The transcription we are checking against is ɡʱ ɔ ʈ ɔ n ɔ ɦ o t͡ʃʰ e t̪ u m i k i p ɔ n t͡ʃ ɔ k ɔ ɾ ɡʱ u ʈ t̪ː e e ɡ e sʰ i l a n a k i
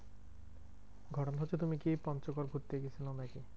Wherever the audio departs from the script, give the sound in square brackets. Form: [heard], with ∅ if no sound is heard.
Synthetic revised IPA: ɡʱ ɔ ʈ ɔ n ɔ ɦ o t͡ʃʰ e t̪ u m i k i p ɔ n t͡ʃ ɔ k ɔ ɾ ɡʱ u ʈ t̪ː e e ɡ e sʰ i l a n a k i